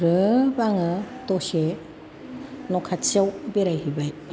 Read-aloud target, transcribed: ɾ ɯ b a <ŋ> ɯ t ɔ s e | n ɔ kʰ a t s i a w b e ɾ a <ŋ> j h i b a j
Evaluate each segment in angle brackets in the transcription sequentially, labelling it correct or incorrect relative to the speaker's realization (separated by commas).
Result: correct, incorrect